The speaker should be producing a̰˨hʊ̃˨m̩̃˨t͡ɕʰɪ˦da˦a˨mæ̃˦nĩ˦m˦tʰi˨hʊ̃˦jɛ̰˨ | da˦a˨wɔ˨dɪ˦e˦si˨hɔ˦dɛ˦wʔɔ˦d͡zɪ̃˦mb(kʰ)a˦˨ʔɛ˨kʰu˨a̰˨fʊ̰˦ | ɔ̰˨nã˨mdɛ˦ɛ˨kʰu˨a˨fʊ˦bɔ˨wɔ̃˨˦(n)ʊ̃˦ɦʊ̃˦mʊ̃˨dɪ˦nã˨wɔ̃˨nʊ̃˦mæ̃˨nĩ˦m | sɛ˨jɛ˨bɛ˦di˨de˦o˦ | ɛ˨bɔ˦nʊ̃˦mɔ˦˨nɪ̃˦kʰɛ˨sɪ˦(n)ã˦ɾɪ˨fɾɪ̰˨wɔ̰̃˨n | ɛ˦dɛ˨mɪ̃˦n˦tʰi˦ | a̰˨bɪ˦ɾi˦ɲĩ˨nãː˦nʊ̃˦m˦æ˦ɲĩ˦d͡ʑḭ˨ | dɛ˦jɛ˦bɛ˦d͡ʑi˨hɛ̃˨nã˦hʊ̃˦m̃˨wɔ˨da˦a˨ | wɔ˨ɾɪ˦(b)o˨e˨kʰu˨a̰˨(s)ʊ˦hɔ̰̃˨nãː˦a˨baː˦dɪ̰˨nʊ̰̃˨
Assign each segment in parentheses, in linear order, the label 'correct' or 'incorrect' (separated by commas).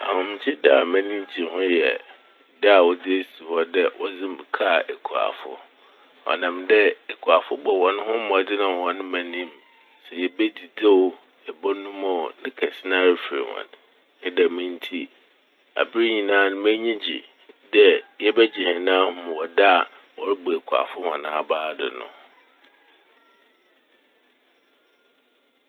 correct, correct, correct, correct, incorrect